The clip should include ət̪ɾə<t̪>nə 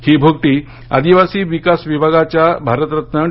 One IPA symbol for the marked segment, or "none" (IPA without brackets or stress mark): t̪